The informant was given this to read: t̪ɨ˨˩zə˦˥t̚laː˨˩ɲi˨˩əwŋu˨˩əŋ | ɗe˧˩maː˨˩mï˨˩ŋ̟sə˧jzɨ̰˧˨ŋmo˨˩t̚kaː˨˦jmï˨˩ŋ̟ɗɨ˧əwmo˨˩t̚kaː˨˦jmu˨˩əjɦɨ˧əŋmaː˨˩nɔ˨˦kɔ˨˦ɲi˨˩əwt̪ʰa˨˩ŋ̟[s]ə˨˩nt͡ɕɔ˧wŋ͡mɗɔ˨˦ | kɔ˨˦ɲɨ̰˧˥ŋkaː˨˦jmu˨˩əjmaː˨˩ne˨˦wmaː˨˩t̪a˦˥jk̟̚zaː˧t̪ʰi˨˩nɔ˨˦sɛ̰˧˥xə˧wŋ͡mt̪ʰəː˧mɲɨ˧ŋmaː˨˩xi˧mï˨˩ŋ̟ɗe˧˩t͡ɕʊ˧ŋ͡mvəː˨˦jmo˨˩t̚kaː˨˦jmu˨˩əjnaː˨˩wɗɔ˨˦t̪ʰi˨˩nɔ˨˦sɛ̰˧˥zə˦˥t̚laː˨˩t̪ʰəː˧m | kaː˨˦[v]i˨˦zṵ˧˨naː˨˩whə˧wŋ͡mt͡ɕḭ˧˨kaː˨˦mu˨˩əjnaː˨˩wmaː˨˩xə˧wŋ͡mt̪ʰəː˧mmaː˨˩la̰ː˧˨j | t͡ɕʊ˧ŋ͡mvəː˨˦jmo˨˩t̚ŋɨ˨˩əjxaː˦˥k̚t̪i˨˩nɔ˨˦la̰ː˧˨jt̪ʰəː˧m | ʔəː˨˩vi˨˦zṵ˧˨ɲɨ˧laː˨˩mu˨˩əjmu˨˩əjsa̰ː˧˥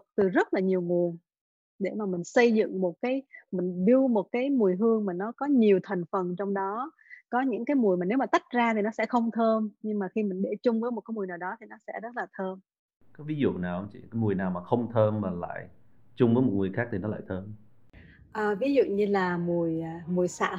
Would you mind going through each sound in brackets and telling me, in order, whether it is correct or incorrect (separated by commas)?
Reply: incorrect, correct